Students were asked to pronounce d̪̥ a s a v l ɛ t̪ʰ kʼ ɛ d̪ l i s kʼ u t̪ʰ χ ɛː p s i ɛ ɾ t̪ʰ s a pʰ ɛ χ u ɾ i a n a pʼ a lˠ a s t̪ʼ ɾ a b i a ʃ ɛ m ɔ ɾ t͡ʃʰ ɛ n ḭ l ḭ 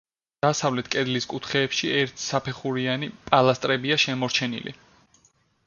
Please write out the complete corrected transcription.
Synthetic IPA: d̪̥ a s a v l ɛ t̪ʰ kʼ ɛ d̪ l i s kʼ u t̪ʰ χ ɛː p ʃ i ɛ ɾ t̪ʰ s a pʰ ɛ χ u ɾ i a n i pʼ a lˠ a s t̪ʼ ɾ ɛ b i a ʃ ɛ m ɔ ɾ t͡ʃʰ ɛ n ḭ l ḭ